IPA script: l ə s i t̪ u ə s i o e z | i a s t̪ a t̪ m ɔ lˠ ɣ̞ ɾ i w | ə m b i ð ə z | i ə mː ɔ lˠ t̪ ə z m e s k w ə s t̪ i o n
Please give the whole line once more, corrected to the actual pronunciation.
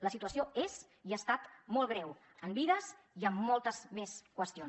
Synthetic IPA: l ə s i t̪ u ə s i o e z | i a s t̪ a t̪ m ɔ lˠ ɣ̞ ɾ ɛ w | ə m b i ð ə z | i ə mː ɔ lˠ t̪ ə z m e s k w ə s t̪ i o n